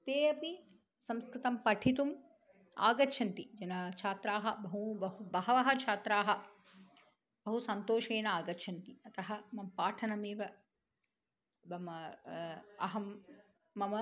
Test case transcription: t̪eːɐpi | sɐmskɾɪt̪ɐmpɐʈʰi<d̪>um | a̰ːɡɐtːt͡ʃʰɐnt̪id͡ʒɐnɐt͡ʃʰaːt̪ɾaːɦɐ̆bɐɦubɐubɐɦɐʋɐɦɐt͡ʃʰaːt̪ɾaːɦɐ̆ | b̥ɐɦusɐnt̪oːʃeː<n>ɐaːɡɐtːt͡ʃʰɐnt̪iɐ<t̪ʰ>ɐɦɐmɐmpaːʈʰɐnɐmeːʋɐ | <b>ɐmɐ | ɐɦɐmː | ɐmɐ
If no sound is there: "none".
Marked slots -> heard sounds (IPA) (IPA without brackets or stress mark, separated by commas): t̪, n, t̪, b